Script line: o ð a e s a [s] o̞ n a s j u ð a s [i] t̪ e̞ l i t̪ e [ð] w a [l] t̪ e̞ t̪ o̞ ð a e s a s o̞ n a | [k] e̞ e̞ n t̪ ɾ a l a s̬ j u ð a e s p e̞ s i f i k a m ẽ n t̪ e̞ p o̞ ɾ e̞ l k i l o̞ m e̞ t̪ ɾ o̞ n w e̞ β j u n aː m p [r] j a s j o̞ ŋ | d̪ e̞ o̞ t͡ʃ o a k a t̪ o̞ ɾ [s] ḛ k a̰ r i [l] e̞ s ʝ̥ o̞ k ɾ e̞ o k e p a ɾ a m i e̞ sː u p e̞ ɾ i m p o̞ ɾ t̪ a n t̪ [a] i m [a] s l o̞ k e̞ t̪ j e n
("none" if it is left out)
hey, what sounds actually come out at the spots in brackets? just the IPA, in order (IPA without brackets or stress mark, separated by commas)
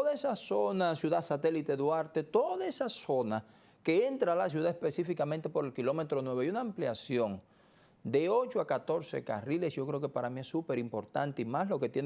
s, a, ð, ɾ, k, l, s, l, e, a